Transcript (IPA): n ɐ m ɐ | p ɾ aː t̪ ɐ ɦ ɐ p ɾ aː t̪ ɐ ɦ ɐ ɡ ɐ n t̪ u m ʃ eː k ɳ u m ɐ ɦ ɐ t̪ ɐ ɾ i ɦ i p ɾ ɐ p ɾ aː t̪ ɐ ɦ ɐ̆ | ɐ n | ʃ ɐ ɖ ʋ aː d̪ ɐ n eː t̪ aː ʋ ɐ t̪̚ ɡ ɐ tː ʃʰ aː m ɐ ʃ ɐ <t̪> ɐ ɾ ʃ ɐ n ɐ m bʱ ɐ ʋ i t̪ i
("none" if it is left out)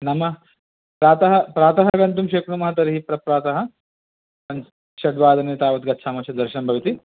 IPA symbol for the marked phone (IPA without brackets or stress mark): d̪